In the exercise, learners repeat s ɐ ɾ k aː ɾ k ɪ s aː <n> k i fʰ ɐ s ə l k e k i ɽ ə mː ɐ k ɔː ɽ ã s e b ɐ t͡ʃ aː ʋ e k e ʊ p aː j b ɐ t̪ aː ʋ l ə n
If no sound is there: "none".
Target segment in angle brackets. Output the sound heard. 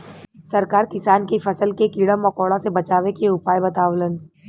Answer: n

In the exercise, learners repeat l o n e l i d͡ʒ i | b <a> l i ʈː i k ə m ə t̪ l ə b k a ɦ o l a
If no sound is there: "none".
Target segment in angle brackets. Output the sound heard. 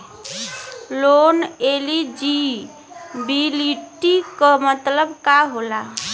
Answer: i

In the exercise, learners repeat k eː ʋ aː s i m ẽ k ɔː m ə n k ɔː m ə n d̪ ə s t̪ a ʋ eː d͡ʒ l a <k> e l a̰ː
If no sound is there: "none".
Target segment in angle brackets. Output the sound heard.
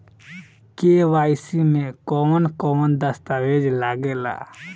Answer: ɡ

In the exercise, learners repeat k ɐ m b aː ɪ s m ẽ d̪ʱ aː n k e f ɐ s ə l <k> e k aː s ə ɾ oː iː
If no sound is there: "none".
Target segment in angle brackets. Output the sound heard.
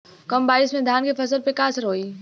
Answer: p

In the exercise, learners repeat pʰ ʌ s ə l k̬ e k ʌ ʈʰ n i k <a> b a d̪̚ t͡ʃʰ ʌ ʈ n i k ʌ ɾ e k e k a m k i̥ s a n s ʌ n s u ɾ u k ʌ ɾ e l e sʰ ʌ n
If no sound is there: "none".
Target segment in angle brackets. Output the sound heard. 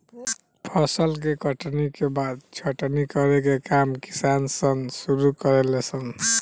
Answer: e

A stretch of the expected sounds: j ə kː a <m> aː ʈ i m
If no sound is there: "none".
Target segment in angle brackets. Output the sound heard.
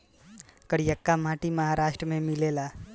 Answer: m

